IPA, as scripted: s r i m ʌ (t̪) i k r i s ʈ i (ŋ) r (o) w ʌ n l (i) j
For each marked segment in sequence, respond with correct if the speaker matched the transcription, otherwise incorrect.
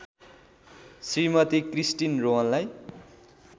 correct, incorrect, correct, incorrect

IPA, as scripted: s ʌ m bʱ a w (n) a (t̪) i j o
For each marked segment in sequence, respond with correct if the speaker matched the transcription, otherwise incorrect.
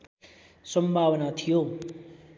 correct, incorrect

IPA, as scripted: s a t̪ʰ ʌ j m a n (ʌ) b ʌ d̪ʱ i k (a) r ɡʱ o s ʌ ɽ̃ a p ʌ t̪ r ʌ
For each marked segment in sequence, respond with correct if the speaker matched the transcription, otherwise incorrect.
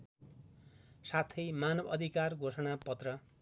correct, correct

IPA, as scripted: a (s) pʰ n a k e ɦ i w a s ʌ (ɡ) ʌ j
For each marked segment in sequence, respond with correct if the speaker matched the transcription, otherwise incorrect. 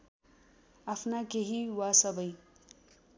incorrect, incorrect

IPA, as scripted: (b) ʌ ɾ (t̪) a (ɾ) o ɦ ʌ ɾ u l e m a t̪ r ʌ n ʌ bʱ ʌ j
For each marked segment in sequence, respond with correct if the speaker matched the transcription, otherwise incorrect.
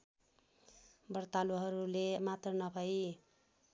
correct, correct, incorrect

